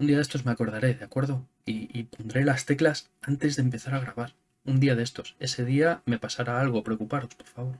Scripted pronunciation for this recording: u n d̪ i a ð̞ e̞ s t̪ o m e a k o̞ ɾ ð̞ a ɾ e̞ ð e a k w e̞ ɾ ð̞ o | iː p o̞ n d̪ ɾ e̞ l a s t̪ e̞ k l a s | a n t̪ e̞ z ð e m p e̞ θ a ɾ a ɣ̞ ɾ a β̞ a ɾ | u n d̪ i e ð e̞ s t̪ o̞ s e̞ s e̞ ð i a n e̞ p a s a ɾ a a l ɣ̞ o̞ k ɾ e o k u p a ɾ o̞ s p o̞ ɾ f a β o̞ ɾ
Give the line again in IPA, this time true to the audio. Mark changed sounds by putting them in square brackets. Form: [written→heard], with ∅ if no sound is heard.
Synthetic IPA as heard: u n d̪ i a ð̞ e̞ s t̪ o m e a k o̞ ɾ ð̞ a ɾ e̞ ð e a k w e̞ ɾ ð̞ o | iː p o̞ n d̪ ɾ e̞ l a s t̪ e̞ k l a s | a n t̪ e̞ z ð e m p e̞ θ a ɾ a ɣ̞ ɾ a β̞ a ɾ | u n d̪ i [e→a] ð e̞ s t̪ o̞ s e̞ s e̞ ð i a [n→m] e̞ p a s a ɾ a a l ɣ̞ o̞ [k→p] ɾ e o k u p a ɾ o̞ s p o̞ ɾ f a β o̞ ɾ